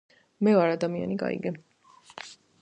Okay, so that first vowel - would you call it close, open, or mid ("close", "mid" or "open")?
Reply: mid